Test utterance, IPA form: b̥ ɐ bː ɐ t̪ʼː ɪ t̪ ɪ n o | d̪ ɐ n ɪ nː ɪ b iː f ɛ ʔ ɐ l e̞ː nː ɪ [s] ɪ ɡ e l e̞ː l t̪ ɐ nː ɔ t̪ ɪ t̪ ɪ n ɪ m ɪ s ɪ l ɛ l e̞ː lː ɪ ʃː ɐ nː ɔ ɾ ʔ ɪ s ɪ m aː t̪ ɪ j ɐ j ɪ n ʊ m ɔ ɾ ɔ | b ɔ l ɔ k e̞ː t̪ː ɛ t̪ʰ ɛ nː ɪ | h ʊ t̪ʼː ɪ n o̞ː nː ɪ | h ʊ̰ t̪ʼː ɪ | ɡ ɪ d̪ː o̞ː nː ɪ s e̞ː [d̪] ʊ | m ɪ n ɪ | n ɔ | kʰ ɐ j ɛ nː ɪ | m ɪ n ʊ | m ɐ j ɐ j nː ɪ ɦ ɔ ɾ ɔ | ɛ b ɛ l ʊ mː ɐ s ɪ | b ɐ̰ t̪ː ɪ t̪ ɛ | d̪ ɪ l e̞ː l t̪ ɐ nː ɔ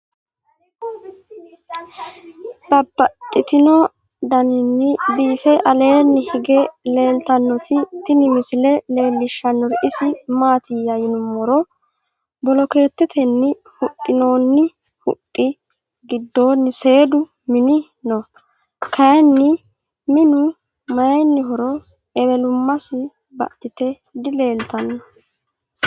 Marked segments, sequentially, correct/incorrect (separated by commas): incorrect, correct